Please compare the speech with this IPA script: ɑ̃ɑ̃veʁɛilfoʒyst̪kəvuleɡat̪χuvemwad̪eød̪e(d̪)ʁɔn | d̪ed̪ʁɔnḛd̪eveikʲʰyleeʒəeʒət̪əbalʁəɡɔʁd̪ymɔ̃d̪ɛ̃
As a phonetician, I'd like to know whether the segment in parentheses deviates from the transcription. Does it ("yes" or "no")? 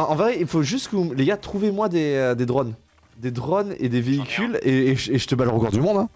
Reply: no